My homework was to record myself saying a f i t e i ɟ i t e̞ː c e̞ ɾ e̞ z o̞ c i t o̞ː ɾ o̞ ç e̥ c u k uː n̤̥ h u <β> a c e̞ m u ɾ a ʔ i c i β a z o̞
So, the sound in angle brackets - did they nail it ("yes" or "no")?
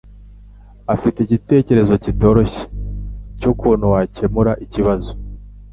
no